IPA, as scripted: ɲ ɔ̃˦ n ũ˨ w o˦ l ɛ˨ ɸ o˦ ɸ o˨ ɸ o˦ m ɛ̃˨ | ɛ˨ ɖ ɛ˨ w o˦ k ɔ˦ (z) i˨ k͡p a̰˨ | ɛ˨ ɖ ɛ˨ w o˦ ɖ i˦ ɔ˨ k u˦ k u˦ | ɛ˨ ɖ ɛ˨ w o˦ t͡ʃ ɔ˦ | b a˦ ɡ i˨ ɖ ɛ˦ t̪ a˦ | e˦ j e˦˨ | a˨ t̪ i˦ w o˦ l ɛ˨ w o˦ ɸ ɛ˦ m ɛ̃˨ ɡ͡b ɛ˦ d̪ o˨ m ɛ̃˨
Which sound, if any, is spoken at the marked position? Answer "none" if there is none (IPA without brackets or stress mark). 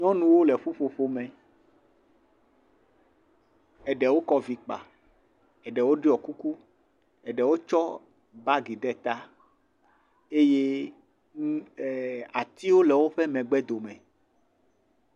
v